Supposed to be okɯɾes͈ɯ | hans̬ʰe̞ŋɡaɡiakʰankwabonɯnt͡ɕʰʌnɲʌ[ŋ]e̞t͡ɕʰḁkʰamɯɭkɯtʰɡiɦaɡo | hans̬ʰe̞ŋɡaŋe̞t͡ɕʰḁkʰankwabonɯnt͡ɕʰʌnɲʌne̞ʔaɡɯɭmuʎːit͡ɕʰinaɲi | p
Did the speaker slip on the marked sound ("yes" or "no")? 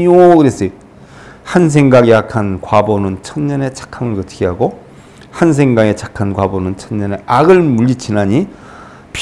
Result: yes